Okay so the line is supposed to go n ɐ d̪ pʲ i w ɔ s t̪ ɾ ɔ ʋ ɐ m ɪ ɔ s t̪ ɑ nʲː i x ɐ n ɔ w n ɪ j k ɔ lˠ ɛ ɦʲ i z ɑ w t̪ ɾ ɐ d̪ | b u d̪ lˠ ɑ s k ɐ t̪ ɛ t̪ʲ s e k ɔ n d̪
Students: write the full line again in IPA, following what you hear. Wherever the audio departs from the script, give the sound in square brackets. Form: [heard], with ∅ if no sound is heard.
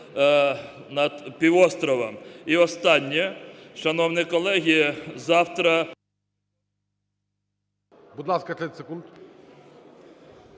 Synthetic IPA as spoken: n ɐ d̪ pʲ i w ɔ s t̪ ɾ ɔ ʋ ɐ m [i] ɔ s t̪ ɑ nʲː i [ʃ] ɐ n ɔ w n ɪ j k ɔ lˠ ɛ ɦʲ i z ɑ w t̪ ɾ ɐ [∅] | b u d̪ lˠ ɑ s k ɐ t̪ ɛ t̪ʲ s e k [u] n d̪